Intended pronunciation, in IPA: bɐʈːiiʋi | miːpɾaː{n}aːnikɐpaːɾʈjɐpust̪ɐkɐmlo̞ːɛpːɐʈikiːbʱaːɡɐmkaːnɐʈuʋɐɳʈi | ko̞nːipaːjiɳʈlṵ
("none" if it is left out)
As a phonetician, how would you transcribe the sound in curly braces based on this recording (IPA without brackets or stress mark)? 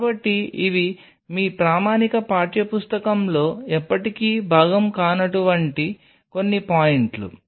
m